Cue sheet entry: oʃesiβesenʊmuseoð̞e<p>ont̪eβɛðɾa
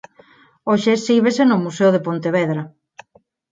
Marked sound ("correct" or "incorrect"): correct